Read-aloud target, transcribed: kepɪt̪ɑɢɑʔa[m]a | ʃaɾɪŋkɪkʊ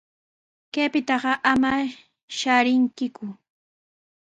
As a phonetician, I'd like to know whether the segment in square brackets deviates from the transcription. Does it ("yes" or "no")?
no